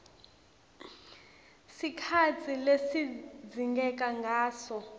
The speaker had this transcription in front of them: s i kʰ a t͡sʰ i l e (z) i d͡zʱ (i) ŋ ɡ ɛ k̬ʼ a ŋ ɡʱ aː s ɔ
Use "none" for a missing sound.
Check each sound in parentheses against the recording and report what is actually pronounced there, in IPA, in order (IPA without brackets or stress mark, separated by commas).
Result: s, i